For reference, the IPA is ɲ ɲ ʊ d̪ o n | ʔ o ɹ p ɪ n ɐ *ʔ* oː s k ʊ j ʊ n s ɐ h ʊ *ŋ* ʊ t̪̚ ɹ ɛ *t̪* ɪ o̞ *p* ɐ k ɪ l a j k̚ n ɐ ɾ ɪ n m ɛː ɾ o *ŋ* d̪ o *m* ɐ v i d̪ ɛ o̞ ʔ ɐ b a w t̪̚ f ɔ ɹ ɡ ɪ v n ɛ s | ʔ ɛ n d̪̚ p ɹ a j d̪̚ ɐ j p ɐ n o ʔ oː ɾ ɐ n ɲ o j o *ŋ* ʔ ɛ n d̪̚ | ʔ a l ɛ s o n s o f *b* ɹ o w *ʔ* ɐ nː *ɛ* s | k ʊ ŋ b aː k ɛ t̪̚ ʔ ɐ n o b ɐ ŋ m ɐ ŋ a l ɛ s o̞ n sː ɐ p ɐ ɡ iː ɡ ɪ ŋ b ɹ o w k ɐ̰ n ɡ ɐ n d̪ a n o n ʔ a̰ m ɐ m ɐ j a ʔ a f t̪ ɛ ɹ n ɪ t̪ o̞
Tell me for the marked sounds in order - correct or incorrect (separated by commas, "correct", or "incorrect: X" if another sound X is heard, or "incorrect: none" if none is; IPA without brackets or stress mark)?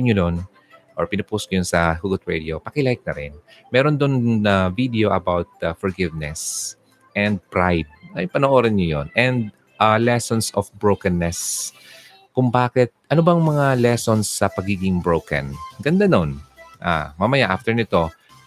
incorrect: p, incorrect: ɡ, incorrect: d̪, correct, incorrect: n, incorrect: n, incorrect: n, correct, incorrect: k, correct